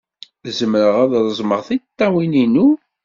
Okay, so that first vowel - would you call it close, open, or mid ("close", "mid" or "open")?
mid